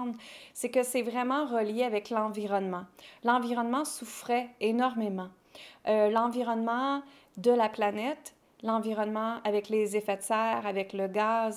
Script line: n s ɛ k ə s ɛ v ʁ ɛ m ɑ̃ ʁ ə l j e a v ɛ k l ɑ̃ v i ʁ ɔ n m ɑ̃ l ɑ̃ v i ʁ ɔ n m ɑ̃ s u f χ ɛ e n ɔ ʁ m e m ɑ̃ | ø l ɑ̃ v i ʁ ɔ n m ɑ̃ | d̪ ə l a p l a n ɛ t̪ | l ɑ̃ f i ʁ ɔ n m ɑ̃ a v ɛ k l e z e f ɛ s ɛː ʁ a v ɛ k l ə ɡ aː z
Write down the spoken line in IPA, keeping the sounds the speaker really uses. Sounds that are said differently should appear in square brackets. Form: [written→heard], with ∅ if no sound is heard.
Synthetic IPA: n s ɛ k ə s ɛ v ʁ ɛ m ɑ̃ ʁ ə l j e a v ɛ k l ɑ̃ v i ʁ ɔ n m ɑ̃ l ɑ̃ v i ʁ ɔ n m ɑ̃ s u f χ ɛ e n ɔ ʁ m e m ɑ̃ | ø l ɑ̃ v i ʁ ɔ n m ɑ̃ | d̪ ə l a p l a n ɛ t̪ | l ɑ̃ [f→v] i ʁ ɔ n m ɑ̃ a v ɛ k l e z e f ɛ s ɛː ʁ a v ɛ k l ə ɡ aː z